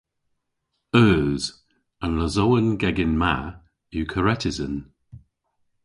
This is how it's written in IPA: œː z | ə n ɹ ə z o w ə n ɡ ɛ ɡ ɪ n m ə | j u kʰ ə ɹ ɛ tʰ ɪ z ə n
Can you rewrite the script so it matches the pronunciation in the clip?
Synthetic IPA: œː z | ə n l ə z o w ə n ɡ ɛ ɡ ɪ n m a | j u kʰ ə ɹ ɛ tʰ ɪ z ə n